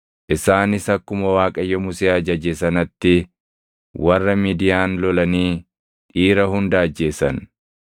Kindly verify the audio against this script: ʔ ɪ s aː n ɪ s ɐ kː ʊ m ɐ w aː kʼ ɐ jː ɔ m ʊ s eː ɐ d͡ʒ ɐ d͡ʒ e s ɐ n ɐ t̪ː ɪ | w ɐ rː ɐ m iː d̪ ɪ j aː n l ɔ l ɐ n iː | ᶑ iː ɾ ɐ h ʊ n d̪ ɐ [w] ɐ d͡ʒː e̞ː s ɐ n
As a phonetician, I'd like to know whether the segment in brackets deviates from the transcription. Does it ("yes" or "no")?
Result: yes